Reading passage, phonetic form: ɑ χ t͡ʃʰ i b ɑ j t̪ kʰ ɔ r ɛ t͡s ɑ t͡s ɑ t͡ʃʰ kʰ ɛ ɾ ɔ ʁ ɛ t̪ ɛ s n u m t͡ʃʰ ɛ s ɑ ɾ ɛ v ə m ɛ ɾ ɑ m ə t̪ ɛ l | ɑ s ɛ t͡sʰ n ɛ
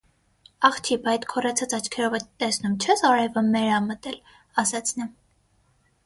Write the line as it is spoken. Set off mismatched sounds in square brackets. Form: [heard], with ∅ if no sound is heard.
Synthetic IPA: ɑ χ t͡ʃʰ i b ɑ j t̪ kʰ ɔ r ɛ [t͡sʰ] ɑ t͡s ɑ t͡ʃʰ kʰ ɛ ɾ ɔ [v] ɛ t̪ ɛ s n u m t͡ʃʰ ɛ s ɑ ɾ ɛ v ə m ɛ ɾ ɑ m ə t̪ ɛ l | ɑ s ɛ t͡sʰ n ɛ